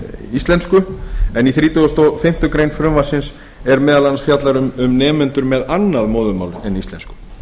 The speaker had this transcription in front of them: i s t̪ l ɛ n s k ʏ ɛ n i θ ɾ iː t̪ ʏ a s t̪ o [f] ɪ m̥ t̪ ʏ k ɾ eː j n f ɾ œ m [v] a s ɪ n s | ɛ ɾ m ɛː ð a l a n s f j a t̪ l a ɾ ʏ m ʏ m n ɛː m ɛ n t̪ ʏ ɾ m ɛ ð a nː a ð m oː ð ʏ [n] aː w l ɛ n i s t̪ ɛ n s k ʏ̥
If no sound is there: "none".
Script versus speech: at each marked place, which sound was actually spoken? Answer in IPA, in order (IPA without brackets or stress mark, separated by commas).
f, v, m